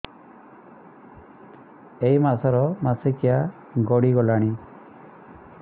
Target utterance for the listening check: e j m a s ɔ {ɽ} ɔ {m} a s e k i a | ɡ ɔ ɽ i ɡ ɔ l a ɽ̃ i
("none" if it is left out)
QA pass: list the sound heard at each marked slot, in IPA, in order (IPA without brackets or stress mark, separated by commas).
ɾ, m